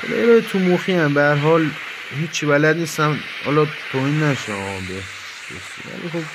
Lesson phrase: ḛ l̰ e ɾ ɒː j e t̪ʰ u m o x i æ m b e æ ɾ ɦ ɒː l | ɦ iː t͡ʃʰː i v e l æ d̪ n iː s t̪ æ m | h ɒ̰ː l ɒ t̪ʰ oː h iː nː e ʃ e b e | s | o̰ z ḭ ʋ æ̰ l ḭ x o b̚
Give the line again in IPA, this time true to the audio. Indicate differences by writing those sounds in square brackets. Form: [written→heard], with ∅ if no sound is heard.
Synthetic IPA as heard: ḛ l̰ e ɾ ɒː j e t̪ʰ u m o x i æ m b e æ ɾ ɦ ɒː l | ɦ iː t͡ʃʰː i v [e→æ] l æ d̪ n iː s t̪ æ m | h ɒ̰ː l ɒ t̪ʰ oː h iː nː [e→æ] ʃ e b e | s | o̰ [z→s] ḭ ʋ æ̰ l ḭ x o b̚